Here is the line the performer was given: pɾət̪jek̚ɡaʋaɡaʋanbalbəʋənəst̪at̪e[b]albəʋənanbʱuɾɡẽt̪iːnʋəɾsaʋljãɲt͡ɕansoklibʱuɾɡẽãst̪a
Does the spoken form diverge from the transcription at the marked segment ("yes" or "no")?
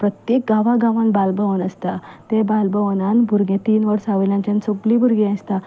no